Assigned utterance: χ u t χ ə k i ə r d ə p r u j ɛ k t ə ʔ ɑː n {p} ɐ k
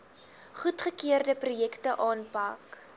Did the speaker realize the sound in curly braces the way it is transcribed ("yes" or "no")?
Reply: yes